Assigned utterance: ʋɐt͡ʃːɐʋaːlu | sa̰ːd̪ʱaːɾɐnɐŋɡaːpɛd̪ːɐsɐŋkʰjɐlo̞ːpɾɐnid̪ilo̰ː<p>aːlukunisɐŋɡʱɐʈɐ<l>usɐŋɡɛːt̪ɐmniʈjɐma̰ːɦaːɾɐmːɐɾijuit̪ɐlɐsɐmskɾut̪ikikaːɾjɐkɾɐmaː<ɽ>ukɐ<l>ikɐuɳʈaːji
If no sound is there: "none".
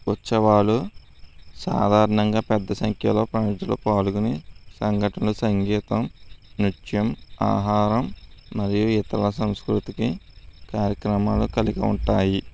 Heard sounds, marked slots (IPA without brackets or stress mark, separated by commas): p, l, l, l